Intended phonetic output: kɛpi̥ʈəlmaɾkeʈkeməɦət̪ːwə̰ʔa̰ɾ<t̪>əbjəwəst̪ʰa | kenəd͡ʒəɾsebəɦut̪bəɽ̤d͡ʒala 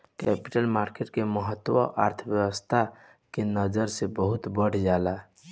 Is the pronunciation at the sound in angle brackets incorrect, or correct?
incorrect